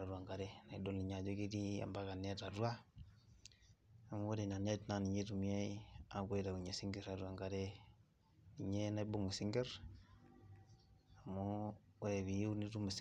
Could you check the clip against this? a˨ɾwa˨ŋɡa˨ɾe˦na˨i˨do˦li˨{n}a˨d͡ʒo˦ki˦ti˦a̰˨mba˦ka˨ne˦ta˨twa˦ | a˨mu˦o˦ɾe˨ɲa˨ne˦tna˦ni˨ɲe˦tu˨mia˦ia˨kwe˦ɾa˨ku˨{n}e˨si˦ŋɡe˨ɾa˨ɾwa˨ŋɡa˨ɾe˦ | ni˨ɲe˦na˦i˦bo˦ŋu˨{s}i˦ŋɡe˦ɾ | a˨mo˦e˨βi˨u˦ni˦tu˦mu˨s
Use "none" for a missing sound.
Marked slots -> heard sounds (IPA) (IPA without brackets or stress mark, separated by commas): ɲ, ɲ, s